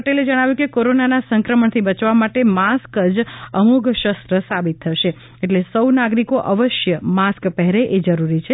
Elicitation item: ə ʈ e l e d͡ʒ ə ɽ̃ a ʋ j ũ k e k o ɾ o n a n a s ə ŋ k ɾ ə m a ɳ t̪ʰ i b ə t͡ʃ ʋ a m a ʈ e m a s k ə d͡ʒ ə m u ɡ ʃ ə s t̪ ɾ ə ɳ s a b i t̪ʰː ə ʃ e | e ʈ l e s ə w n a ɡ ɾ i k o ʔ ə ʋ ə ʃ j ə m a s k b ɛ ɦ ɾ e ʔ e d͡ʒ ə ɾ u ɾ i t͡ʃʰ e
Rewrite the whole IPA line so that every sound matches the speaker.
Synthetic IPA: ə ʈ e l e d͡ʒ ə ɽ̃ a ʋ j ũ k e k o ɾ o n a n a s ə ŋ k ɾ ə m ə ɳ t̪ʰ i b ə t͡ʃ ʋ a m a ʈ e m a s k ə d͡ʒ ə m u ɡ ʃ ə s t̪ ɾ ə s a b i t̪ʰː ə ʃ e | e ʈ l e s ə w n a ɡ ɾ i k o ʔ ə ʋ ə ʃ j ə m a s k p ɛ ɦ ɾ e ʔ e d͡ʒ ə ɾ u ɾ i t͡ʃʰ e